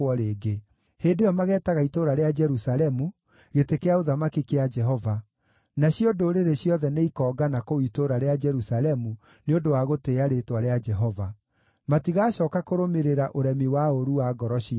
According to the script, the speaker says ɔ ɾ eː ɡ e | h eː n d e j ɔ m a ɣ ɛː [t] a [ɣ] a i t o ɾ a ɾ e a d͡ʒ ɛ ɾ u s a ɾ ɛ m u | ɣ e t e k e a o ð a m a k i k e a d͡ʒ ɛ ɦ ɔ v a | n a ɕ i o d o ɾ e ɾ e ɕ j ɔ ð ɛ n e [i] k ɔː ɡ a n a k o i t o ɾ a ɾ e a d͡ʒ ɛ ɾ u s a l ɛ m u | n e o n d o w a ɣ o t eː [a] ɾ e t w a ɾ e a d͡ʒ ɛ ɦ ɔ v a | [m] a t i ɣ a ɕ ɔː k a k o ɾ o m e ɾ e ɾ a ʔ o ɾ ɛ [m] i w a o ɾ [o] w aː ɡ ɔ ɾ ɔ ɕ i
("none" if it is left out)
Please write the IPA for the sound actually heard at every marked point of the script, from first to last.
t, ɣ, i, a, m, m, u

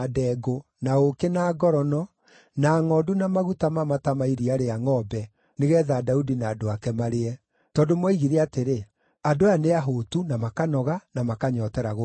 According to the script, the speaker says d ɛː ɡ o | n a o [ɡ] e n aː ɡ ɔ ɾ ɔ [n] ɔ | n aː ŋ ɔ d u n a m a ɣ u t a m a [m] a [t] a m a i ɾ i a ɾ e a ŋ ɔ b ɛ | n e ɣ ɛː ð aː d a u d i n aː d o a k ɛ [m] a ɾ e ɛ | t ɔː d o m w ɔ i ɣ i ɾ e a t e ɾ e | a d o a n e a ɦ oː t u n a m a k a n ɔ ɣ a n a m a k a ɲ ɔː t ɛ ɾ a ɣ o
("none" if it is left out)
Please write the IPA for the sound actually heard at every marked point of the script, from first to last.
k, n, m, t, m

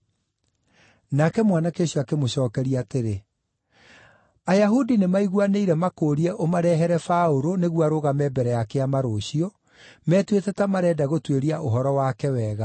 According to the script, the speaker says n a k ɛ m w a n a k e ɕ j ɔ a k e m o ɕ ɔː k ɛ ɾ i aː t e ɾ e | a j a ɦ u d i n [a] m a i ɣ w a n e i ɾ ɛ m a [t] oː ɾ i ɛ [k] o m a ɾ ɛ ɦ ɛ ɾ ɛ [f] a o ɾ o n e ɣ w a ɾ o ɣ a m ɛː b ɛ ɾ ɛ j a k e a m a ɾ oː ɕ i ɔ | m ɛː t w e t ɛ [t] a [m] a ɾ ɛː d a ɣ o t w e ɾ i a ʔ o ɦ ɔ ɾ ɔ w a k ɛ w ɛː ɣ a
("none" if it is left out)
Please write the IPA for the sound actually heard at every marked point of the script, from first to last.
e, k, ʔ, f, t, m

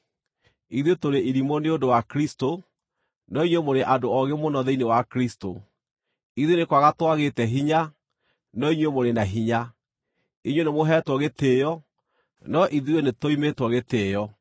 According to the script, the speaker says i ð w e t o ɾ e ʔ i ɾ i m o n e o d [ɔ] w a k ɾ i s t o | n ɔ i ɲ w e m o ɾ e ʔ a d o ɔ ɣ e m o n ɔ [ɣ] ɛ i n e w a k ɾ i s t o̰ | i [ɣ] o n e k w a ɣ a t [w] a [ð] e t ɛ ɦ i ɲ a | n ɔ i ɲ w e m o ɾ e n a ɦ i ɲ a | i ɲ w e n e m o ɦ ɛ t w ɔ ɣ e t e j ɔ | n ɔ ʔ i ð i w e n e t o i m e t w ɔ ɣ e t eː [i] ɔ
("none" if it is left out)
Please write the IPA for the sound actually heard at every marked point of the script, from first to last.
o, ð, ð, w, ɣ, j

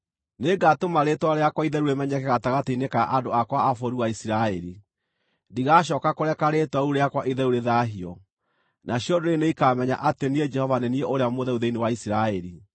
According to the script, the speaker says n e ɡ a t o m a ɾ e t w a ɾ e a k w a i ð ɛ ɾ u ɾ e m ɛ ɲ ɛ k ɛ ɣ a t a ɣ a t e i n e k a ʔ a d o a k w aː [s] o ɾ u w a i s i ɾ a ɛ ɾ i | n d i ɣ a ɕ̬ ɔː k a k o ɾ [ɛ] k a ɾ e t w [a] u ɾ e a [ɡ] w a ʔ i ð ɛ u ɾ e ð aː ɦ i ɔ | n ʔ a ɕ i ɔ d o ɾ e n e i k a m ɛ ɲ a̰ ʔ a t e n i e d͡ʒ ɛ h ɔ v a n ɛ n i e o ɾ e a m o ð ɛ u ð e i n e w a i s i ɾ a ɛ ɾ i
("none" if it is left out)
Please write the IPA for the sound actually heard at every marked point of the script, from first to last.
f, ɛ, a, k

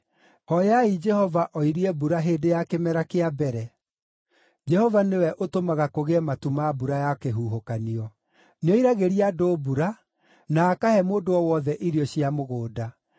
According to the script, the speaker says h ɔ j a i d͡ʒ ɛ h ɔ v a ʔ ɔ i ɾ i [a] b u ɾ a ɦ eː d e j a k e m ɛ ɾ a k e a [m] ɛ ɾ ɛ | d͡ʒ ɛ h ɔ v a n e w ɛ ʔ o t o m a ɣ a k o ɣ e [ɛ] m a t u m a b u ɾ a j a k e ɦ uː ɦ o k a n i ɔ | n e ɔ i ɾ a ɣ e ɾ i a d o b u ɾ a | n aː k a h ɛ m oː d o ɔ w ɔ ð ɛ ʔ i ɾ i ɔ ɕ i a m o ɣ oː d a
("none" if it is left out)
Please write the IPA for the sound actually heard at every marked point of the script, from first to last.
ɛ, b, ɛ

